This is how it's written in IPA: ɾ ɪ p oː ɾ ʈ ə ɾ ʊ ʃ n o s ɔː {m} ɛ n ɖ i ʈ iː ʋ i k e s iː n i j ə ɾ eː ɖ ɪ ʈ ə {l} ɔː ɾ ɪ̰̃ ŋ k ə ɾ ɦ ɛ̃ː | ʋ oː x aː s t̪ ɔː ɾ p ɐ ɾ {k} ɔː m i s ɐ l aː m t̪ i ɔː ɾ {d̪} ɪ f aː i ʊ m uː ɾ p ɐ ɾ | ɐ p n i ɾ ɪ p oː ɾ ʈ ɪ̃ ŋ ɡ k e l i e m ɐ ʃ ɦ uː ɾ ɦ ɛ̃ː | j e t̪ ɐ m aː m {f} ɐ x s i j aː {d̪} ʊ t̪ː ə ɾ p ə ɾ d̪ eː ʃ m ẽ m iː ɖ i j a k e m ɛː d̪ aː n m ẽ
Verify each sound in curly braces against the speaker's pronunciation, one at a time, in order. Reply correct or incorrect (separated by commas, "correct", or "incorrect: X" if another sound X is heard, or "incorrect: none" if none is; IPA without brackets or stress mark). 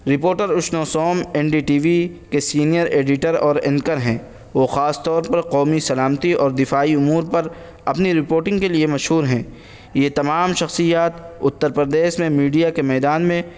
correct, incorrect: ɾ, incorrect: q, correct, incorrect: ʃ, incorrect: t̪